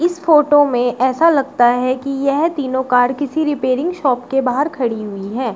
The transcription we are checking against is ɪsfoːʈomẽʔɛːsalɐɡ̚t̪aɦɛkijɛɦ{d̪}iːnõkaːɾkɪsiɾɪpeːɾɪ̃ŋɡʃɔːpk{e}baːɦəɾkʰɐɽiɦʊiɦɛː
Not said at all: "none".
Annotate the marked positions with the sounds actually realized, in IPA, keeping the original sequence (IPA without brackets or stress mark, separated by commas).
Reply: t̪, e